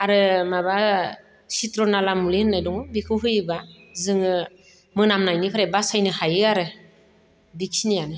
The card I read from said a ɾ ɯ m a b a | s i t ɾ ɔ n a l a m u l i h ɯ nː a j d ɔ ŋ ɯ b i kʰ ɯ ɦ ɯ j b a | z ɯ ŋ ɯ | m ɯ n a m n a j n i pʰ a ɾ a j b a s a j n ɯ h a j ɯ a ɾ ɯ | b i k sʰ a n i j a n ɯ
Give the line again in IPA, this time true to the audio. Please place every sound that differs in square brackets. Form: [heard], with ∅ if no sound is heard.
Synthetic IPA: a ɾ ɯ m a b a | s i t ɾ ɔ n a l a m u l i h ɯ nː a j d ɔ ŋ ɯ b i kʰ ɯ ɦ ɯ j b a | z ɯ ŋ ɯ | m ɯ n a m n a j n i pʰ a ɾ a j b a s a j n ɯ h a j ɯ a ɾ ɯ | b i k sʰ [i] n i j a n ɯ